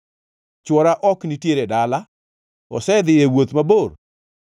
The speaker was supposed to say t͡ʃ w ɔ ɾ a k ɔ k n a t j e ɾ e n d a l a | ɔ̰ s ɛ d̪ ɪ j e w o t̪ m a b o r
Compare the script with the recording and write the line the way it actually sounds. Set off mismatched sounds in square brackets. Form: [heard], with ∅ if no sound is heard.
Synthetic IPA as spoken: t͡ʃ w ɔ ɾ a [ʔ] ɔ k n [i] t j e ɾ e [∅] d a l a | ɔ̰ s ɛ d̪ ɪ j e w o t̪ m a b o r